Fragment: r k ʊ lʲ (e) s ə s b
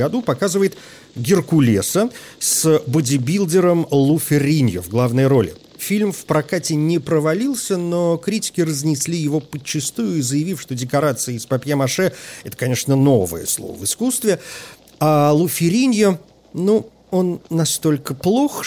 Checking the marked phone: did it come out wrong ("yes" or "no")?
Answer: no